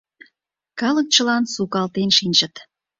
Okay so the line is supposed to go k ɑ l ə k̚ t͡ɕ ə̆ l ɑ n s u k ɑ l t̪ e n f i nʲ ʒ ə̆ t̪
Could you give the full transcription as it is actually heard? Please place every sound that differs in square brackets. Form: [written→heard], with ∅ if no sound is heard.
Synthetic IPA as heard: k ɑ l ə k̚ t͡ɕ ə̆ l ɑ n s u k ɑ l t̪ e n [f→ʃ] i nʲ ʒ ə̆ t̪